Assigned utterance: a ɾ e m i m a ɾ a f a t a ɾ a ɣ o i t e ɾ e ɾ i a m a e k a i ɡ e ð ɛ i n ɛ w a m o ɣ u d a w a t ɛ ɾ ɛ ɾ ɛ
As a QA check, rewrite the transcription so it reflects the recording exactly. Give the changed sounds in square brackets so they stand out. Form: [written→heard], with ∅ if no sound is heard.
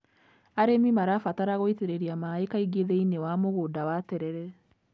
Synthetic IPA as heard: a ɾ e m i m a ɾ a f a t a ɾ a ɣ o i t e ɾ e ɾ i a m a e k a i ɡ e ð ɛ i n [ɛ→e] w a m o ɣ [u→o] d a w a t ɛ ɾ ɛ ɾ ɛ